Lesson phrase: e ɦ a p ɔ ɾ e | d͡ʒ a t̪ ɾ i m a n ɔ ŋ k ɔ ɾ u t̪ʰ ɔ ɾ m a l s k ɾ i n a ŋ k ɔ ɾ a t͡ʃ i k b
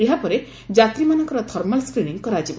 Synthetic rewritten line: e ɦ a p ɔ ɾ e | d͡ʒ a t̪ ɾ i m a n ɔ ŋ k ɔ ɾ ɔ t̪ʰ ɔ ɾ m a l s k ɾ i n i ŋ k ɔ ɾ a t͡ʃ i b